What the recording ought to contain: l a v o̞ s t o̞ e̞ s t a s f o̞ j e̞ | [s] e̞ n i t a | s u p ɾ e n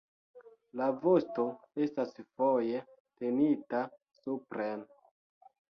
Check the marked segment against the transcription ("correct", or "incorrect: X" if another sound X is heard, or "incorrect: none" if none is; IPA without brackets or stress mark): incorrect: t